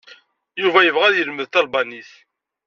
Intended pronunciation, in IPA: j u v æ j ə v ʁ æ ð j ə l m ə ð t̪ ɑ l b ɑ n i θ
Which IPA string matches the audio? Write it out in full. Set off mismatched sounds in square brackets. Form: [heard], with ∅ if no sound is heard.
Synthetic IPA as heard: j u v æ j ə v ʁ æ ð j ə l m ə ð t̪ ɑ l b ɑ n i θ